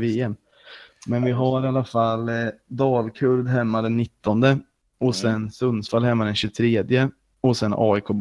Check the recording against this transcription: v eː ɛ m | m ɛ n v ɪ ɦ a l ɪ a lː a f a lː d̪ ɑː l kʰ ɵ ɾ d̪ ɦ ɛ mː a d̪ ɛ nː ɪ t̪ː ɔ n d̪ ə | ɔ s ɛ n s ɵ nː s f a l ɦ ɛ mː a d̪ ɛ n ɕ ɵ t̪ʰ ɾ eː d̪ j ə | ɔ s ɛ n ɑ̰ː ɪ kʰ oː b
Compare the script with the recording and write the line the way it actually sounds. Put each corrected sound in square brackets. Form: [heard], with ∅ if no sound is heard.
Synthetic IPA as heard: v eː ɛ m | m ɛ n v ɪ ɦ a [ɾ] ɪ a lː a f a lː d̪ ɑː l kʰ ɵ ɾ d̪ ɦ ɛ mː a d̪ ɛ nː ɪ t̪ː ɔ n d̪ ə | ɔ s ɛ n s ɵ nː s f a l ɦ ɛ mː a d̪ ɛ n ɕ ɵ t̪ʰ ɾ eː d̪ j ə | ɔ s ɛ n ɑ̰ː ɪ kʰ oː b